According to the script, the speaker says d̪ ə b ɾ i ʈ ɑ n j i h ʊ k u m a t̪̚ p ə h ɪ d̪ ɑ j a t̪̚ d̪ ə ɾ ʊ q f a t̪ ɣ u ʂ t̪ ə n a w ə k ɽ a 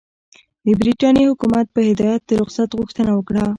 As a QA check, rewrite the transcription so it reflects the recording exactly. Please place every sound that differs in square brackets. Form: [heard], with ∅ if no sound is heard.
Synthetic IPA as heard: d̪ ə b ɾ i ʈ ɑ n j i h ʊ k u m a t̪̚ p ə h ɪ d̪ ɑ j a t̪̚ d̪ ə ɾ ʊ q [s] a t̪ ɣ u [x] t̪ ə n a w ə k ɽ a

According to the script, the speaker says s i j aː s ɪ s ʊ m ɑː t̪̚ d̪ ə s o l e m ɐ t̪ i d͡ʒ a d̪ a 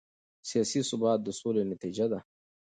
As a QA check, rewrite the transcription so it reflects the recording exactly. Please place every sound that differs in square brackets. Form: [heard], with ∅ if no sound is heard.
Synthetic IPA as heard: s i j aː s [i] s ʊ [b] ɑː t̪̚ d̪ ə s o l e [n] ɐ t̪ i d͡ʒ a d̪ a

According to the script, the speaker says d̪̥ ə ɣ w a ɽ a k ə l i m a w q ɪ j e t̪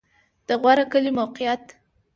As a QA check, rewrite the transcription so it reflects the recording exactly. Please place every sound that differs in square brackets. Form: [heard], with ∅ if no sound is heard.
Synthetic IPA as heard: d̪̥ ə ɣ w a [ɾ] a k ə l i m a w q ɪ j [a] t̪

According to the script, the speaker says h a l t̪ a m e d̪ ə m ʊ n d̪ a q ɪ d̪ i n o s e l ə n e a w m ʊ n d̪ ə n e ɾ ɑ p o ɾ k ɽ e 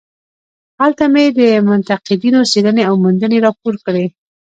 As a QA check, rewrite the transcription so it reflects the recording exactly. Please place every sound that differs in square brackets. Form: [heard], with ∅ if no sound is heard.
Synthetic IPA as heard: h a l t̪ a m e d̪ ə m ʊ n [t̪] a q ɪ d̪ i n o s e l ə n e a w m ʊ n d̪ ə n e ɾ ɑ p o ɾ k ɽ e

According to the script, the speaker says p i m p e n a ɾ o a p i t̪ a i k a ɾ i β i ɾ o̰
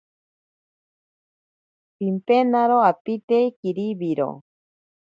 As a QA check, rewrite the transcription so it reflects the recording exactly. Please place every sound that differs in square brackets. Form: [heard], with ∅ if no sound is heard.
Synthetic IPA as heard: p i m p e n a ɾ o a p i t̪ [e] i k [i] ɾ i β i ɾ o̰

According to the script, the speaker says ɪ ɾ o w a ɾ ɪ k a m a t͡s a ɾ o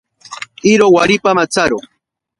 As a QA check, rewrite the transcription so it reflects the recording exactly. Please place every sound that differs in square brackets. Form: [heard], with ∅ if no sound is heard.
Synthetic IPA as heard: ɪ ɾ o w a ɾ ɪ [p] a m a t͡s a ɾ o

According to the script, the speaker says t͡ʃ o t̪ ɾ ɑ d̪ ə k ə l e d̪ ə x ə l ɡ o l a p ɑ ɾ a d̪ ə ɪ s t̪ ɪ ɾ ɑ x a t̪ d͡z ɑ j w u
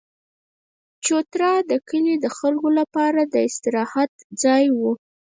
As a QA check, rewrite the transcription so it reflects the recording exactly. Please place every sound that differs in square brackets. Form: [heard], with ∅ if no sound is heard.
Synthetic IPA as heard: t͡ʃ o t̪ ɾ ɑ d̪ ə k ə l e d̪ ə x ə l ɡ o l a p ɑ ɾ a d̪ ə ɪ s t̪ ɪ ɾ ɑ [h] a t̪ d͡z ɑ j w u

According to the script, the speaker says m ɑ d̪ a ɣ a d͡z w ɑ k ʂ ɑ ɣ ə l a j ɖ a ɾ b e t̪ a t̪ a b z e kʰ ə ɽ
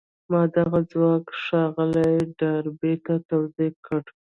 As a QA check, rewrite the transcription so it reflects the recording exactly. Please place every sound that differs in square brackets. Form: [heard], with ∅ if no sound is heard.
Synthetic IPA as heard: m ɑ d̪ a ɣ a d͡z w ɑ k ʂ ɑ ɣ ə l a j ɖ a ɾ b e t̪ a t̪ a [w] z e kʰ ə ɽ

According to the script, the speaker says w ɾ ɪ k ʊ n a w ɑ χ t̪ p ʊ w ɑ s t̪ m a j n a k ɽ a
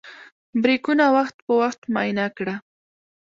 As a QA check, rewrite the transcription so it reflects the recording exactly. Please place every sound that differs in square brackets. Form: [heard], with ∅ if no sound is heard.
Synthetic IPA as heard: [b] ɾ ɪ k ʊ n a w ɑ χ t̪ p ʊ w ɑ [χ] t̪ m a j n a k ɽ a

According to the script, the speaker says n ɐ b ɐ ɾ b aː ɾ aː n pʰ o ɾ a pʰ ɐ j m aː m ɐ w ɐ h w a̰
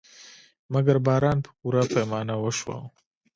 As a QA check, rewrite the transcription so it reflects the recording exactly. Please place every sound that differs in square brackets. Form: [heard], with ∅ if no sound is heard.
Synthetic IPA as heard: [m] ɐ [ɡ] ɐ ɾ b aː ɾ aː n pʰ [u] ɾ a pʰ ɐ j m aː [n] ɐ w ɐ [ʃ] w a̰

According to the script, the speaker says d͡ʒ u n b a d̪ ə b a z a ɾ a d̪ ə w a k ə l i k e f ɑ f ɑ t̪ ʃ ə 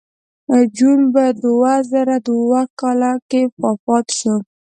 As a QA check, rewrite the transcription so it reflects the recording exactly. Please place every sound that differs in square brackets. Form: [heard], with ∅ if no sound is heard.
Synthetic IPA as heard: d͡ʒ u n b a d̪ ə [w] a z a ɾ a d̪ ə w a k [ɑ] l [a] k e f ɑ f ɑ t̪ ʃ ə

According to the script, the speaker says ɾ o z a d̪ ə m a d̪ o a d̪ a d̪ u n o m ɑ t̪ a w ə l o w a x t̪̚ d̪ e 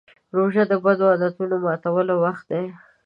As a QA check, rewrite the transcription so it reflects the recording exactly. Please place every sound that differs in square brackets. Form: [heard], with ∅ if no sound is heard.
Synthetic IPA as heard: ɾ o [ʒ] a d̪ ə [b] a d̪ o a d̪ a [t̪] u n o m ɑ t̪ a w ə l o w a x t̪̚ d̪ e

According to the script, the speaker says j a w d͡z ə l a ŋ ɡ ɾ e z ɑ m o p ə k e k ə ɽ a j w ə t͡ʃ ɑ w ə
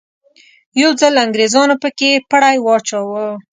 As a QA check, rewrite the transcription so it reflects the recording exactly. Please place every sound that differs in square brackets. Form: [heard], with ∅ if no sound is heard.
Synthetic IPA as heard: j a w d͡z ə l a ŋ ɡ ɾ e z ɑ [n] o p ə k e [p] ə ɽ a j w [ɑ] t͡ʃ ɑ w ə

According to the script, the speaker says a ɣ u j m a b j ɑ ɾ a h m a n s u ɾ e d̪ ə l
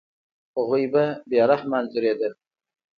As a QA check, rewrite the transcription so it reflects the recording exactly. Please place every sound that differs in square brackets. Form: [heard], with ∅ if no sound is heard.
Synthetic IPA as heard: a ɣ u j [b] a b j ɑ ɾ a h m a n [z] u ɾ e d̪ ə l

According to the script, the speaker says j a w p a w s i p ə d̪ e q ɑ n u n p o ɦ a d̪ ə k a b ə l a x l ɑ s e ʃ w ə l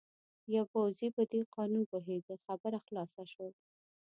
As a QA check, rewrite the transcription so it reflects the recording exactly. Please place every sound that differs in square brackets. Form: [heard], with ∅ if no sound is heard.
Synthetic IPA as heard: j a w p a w [z] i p ə d̪ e q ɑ n u n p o ɦ [e] d̪ ə [x] a b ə [ɾ] a x l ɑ s [a] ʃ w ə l

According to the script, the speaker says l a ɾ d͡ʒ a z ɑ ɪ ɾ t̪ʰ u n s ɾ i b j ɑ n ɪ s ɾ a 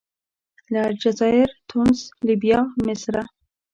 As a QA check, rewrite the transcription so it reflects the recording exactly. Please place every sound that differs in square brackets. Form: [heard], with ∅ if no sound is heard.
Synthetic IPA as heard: l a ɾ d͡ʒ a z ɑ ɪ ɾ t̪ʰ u n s [l] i b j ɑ [m] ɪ s ɾ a

